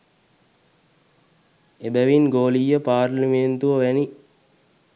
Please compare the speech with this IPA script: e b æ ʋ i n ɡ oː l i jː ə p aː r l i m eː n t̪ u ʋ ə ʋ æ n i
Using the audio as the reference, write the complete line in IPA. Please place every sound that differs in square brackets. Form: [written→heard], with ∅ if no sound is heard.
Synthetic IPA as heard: e b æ ʋ i n ɡ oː l i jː ə p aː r l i m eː n t̪ u ʋ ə ʋ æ n i